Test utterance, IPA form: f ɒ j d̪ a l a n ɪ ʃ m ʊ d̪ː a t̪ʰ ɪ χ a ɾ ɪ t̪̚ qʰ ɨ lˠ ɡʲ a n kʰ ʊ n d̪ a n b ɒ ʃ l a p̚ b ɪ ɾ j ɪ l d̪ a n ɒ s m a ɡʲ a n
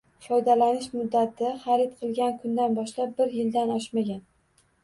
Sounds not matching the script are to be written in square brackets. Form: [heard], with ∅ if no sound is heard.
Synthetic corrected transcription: f ɒ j d̪ a l a n ɪ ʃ m ʊ d̪ː a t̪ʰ ɪ χ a ɾ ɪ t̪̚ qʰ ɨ lˠ ɡʲ a n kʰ ʊ n d̪ a n b ɒ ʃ l a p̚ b ɪ ɾ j ɪ l d̪ a n ɒ [ʃ] m a ɡʲ a n